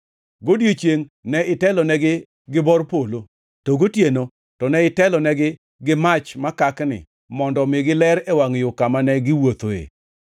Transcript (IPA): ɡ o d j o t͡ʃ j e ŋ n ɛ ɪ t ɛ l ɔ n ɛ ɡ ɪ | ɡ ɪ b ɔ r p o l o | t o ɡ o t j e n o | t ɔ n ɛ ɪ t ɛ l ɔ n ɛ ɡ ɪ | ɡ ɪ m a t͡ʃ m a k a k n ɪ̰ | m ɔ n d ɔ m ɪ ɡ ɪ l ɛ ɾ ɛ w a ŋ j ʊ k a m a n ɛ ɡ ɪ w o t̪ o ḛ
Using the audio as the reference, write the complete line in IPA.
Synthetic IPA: ɡ o d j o t͡ʃ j e ŋ n ɛ ɪ t ɛ l ɔ n ɛ ɡ ɪ | ɡ ɪ b ɔ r p o l o | t o ɡ o t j e n o | t ɔ n ɛ ɪ t ɛ l ɔ n ɛ ɡ ɪ | ɡ ɪ m a t͡ʃ m a k a k n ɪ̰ | m ɔ n d ɔ m ɪ ɡ ɪ l ɛ ɾ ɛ w a ŋ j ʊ k a m a n ɛ ɡ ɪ w o t̪ o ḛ

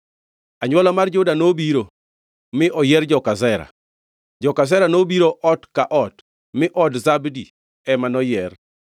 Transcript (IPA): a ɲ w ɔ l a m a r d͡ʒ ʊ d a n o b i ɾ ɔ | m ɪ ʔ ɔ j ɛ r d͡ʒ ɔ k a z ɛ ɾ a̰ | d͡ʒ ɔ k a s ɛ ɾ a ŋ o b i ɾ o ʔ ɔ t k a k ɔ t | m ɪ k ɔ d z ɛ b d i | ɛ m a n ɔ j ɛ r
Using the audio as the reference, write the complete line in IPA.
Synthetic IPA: a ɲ w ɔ l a m a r d͡ʒ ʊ d a n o b i ɾ o | m ɪ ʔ ɔ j ɛ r d͡ʒ ɔ k a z ɛ ɾ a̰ | d͡ʒ ɔ k a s ɛ ɾ a n o b i ɾ o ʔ ɔ t k a ʔ ɔ t | m ɪ ʔ ɔ d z a b d i | ɛ m a n ɔ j ɛ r

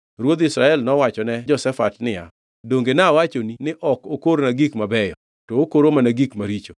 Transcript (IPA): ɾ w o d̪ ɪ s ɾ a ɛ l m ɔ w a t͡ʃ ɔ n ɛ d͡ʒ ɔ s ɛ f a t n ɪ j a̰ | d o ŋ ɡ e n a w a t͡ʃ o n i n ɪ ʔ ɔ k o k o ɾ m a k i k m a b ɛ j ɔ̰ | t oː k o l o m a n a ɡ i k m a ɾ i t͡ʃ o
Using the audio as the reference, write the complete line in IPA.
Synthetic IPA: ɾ w o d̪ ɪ s ɾ a ɛ l n ɔ w a t͡ʃ ɔ n ɛ d͡ʒ ɔ s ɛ f a t n ɪ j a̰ | d o ŋ ɡ e n a w a t͡ʃ o n i n ɪ ʔ ɔ k o k o ɾ n a ɡ i k m a b ɛ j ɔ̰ | t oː k o ɾ o m a n a ɡ i k m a ɾ i t͡ʃ o

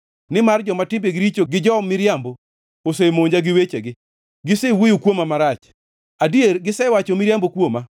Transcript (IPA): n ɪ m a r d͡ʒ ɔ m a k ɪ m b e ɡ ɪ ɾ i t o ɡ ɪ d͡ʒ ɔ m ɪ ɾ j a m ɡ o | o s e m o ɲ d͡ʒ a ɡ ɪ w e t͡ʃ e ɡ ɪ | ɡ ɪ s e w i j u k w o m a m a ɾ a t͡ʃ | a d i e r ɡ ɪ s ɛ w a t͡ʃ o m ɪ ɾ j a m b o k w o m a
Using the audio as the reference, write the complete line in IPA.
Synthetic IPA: n ɪ m a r d͡ʒ ɔ m a t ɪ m b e ɡ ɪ ɾ i t͡ʃ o ɡ ɪ d͡ʒ ɔ m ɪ ɾ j a m b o | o s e m o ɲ d͡ʒ a ɡ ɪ w e t͡ʃ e ɡ ɪ | ɡ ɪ s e w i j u k w o m a m a ɾ a t͡ʃ | a d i e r ɡ ɪ s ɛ w a t͡ʃ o m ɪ ɾ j a m b o k w o m a

